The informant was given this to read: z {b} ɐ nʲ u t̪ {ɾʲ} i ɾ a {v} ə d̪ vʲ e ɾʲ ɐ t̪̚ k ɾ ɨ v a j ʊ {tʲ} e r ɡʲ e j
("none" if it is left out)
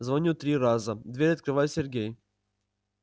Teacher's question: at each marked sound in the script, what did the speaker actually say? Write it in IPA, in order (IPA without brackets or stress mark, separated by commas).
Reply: v, ɾʲ, z, sʲ